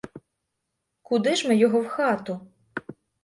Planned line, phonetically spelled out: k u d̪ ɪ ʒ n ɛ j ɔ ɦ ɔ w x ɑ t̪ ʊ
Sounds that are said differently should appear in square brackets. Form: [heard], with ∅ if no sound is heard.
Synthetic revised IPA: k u d̪ ɪ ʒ [m] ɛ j ɔ ɦ ɔ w x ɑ t̪ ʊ